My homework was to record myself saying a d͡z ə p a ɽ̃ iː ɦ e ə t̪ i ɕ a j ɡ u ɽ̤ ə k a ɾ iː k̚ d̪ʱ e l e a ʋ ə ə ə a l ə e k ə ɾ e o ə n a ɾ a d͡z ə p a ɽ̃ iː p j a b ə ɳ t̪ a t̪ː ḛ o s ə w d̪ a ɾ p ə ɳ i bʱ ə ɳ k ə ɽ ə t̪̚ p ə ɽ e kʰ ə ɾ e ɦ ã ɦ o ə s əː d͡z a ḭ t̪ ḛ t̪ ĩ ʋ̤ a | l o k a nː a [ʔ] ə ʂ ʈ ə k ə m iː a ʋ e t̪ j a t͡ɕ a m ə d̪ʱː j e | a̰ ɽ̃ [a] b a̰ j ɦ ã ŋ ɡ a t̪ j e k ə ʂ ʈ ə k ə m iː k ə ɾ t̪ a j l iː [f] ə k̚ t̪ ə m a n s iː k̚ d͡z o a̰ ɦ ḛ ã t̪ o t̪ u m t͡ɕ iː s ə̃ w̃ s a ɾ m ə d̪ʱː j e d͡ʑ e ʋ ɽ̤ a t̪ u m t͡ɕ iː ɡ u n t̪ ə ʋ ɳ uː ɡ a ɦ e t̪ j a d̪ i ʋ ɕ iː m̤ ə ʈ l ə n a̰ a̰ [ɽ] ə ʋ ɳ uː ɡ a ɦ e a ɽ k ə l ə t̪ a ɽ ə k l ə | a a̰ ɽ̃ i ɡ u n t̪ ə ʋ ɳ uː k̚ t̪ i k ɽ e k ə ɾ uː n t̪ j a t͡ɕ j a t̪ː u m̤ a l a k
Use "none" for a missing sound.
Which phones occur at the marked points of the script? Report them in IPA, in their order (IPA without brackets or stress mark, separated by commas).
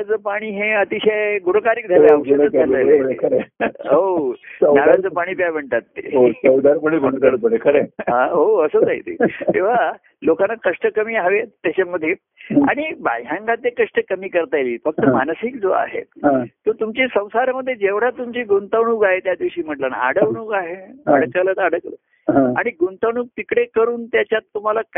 k, i, f, ɽ